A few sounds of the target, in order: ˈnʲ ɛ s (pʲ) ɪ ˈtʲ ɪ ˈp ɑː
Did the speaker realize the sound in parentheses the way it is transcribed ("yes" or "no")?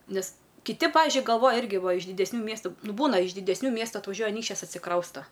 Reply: no